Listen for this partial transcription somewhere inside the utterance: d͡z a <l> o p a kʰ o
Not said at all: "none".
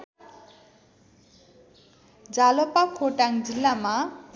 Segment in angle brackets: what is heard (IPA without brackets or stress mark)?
l